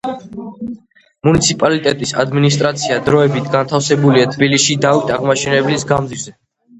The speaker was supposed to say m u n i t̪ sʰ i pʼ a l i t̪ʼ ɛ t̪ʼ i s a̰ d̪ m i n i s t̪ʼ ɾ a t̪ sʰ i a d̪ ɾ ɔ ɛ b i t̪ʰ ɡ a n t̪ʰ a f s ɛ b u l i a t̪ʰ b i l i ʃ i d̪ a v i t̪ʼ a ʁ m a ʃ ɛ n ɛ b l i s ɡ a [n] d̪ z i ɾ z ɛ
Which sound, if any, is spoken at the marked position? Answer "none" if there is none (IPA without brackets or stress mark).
m